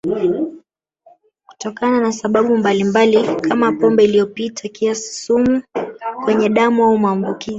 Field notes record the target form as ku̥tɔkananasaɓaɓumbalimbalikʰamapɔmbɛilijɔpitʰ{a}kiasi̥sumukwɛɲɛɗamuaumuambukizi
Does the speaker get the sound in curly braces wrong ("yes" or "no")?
no